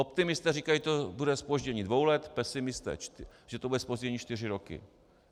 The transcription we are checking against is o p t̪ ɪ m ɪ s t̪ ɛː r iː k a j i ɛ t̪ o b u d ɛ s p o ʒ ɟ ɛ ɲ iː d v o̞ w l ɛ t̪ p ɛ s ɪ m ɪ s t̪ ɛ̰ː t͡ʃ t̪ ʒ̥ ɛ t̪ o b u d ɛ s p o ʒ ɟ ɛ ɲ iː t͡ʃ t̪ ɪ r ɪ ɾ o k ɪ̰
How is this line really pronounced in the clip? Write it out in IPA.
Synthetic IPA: o p t̪ ɪ m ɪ s t̪ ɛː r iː k a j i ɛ t̪ o b u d ɛ s p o ʒ ɟ ɛ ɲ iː d v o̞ w l ɛ t̪ p ɛ s ɪ m ɪ s t̪ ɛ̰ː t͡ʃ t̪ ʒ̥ ɛ t̪ o b u d ɛ s p o ʒ ɟ ɛ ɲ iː t͡ʃ t̪ ɪ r ɪ ɾ o k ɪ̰